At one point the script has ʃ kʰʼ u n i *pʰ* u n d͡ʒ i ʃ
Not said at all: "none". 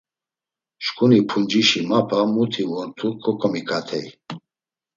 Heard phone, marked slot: pʰ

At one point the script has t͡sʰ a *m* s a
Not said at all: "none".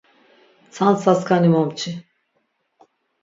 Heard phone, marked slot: n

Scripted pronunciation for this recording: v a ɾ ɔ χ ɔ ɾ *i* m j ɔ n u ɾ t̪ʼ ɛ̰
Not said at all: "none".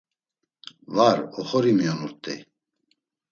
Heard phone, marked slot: i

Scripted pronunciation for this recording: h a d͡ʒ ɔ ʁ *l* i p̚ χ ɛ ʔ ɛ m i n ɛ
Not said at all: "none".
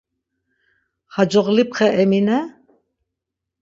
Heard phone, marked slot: l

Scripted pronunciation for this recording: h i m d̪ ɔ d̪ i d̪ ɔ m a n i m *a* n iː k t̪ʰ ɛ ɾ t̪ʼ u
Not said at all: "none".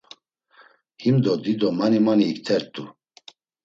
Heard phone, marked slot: a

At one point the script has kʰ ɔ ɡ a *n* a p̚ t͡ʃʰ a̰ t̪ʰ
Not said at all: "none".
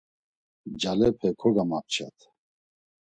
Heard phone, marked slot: m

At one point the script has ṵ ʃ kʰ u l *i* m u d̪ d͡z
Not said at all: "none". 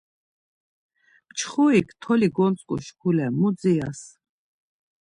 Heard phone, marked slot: ɛ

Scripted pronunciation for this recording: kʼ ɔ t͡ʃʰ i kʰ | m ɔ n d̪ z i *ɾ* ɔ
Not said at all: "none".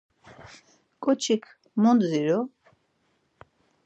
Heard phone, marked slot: ɾ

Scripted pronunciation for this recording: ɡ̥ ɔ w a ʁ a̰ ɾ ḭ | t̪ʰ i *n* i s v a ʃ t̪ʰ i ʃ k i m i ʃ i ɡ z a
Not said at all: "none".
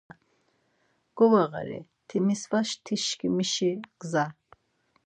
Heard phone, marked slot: m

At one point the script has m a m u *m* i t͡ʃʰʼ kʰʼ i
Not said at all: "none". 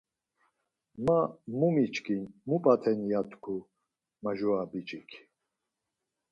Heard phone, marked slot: m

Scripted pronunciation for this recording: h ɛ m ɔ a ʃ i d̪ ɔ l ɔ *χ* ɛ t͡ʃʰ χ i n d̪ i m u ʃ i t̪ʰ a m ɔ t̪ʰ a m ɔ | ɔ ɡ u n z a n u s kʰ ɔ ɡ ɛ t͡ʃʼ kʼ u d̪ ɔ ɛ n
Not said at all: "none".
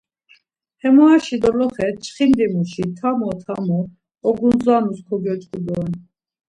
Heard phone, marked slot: χ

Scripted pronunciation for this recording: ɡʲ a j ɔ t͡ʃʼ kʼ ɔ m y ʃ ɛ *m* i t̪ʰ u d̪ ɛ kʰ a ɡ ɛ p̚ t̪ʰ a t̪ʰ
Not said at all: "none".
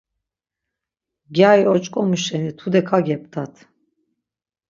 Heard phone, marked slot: n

